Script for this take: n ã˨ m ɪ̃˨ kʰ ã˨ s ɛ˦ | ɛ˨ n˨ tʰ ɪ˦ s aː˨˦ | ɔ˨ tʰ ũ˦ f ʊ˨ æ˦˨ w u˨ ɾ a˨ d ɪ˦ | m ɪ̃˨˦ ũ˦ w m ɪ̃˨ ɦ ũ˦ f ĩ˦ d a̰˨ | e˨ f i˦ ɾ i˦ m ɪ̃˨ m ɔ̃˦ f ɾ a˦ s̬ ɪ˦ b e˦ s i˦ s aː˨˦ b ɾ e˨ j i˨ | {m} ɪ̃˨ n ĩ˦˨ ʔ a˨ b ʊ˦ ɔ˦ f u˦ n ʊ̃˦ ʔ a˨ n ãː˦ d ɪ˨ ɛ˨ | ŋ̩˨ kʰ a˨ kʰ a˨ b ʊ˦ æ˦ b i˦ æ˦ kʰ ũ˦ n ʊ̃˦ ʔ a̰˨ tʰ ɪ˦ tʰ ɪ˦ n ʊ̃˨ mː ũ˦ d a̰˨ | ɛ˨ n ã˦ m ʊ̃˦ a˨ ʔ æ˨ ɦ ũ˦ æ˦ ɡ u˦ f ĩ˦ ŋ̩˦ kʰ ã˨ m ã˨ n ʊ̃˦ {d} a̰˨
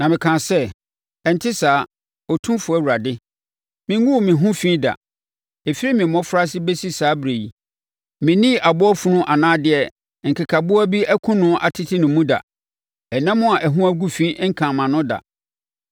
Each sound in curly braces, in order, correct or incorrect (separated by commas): correct, correct